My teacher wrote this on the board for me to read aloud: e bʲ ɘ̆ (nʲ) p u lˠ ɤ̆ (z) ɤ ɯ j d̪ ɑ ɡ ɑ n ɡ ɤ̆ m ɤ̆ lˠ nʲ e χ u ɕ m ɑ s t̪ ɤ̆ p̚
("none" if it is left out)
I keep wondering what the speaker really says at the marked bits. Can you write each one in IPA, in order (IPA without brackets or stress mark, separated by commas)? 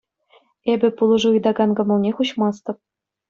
none, ʐ